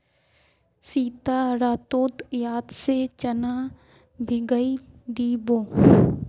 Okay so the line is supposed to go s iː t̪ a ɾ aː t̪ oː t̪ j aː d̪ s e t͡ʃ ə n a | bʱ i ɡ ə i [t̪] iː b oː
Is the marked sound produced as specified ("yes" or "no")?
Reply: no